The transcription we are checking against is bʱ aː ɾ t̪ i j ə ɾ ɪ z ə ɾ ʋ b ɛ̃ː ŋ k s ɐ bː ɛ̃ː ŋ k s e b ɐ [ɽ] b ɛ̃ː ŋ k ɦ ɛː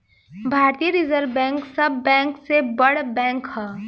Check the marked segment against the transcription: correct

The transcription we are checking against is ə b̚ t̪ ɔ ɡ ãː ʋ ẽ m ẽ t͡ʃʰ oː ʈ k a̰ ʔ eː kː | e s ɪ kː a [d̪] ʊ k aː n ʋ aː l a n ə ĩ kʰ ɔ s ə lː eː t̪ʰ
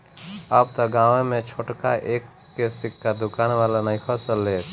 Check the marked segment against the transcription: correct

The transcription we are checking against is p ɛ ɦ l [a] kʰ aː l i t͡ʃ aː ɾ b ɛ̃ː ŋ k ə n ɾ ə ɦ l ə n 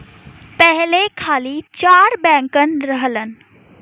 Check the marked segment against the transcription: incorrect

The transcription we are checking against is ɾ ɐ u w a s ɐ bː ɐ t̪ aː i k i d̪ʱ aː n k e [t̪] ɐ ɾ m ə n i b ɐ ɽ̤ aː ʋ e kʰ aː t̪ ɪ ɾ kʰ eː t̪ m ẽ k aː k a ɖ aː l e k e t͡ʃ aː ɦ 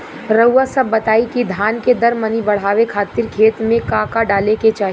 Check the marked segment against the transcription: incorrect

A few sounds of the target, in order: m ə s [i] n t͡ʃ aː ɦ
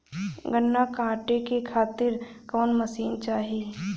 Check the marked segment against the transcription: incorrect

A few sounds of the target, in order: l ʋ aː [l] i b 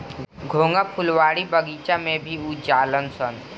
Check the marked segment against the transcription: incorrect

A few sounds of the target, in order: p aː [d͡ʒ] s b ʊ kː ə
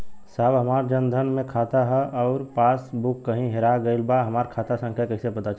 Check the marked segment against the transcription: incorrect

